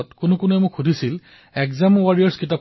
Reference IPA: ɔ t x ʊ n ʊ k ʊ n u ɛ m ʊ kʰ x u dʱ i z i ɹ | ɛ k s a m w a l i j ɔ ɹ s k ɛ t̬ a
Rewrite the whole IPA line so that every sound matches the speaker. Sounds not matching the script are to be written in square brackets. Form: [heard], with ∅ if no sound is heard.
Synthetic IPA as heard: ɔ t [k] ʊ n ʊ k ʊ n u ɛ m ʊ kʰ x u dʱ i [s] i [l] | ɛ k [z] a m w a [ɹ] i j ɔ ɹ s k [i] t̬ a